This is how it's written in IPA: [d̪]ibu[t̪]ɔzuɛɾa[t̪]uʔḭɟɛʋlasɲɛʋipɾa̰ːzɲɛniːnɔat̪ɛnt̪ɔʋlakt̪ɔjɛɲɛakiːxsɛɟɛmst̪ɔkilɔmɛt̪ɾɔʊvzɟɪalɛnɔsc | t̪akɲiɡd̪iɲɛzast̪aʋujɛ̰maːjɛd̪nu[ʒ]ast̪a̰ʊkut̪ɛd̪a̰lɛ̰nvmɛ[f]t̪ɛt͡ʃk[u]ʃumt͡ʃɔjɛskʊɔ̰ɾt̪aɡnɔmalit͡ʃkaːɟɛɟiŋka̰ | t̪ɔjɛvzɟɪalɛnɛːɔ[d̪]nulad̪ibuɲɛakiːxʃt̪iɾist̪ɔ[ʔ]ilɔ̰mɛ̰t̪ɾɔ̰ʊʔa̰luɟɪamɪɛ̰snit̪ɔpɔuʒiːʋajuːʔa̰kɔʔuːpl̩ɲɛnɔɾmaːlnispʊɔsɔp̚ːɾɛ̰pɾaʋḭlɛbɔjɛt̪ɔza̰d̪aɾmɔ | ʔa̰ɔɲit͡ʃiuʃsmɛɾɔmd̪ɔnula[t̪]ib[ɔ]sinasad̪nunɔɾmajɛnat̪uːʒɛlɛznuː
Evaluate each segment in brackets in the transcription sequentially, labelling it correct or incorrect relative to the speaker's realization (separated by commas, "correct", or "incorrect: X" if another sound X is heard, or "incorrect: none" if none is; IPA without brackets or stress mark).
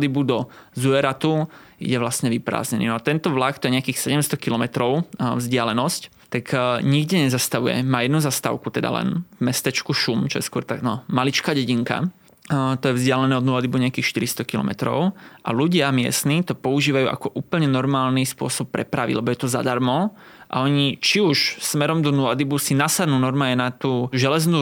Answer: correct, incorrect: d̪, correct, incorrect: z, incorrect: s, correct, correct, incorrect: k, incorrect: d̪, incorrect: u